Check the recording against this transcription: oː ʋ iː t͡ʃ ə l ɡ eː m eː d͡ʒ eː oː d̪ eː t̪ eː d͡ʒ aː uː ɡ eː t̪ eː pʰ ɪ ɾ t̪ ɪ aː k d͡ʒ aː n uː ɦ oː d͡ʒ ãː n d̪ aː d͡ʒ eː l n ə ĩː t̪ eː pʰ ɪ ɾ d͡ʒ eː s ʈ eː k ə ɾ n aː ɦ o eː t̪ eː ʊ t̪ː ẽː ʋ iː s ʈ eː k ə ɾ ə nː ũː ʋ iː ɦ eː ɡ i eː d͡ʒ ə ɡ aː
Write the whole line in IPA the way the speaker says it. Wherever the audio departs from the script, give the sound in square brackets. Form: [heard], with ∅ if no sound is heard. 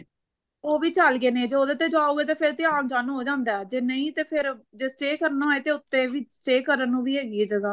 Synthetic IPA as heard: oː ʋ iː t͡ʃ ə l ɡ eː [n] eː d͡ʒ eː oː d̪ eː t̪ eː d͡ʒ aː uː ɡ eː t̪ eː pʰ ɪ ɾ t̪ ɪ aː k d͡ʒ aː n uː ɦ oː d͡ʒ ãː n d̪ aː d͡ʒ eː [∅] n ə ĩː t̪ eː pʰ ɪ ɾ d͡ʒ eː s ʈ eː k ə ɾ n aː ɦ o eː t̪ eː ʊ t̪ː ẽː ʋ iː s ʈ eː k ə ɾ ə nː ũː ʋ iː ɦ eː ɡ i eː d͡ʒ ə ɡ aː

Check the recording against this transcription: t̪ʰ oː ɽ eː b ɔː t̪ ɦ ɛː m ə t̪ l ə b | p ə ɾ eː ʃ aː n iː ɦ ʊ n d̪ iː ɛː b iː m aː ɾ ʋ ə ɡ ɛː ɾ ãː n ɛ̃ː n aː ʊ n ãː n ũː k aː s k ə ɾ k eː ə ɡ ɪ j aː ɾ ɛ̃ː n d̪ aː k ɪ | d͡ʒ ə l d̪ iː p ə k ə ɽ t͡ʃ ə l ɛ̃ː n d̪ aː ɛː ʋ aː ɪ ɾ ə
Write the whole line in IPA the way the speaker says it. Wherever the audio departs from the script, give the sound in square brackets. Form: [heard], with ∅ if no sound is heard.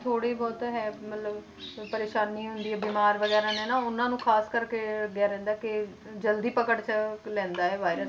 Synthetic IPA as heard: t̪ʰ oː ɽ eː b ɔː t̪ ɦ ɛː m ə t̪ l ə b | p ə ɾ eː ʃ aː n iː ɦ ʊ n d̪ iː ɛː b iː m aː ɾ ʋ ə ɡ ɛː ɾ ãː n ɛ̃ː n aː ʊ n ãː n ũː [kʰ] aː s k ə ɾ k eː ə ɡ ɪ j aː ɾ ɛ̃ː n d̪ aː k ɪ | d͡ʒ ə l d̪ iː p ə k ə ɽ t͡ʃ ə l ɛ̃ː n d̪ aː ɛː ʋ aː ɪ ɾ ə

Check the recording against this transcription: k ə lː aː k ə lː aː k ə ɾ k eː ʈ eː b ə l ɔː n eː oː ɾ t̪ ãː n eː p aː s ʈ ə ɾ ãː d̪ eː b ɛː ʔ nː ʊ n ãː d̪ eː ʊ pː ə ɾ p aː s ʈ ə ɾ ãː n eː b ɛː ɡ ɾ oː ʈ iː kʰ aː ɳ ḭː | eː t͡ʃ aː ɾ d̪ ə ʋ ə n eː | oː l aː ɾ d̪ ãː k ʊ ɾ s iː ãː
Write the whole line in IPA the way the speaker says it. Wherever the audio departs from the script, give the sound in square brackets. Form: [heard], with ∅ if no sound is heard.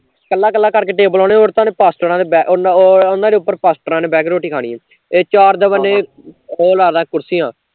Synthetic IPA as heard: k ə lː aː k ə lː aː k ə ɾ k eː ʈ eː b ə l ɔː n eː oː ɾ t̪ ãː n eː p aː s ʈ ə ɾ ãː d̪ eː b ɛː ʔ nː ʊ n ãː d̪ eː ʊ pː ə ɾ p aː s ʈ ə ɾ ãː n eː b ɛː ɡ ɾ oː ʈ iː kʰ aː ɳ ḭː | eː t͡ʃ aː ɾ d̪ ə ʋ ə n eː | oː l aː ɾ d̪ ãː k ʊ ɾ s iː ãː

